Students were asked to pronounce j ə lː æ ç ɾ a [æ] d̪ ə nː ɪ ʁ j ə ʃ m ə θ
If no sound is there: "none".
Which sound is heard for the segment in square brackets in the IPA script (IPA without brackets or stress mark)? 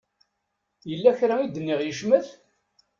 i